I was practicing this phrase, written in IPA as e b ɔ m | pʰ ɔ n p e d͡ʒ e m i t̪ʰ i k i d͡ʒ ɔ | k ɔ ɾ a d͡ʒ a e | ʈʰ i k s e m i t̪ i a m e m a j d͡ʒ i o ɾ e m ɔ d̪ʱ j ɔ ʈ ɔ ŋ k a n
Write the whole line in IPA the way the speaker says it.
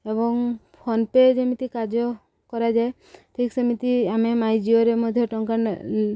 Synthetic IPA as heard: e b ɔ ŋ | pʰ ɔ n p e d͡ʒ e m i t̪ i k a d͡ʒ ɔ | k ɔ ɾ a d͡ʒ a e | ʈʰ i k s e m i t̪ i a m e m a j d͡ʒ i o ɾ e m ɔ d̪ʱ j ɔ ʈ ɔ ŋ k a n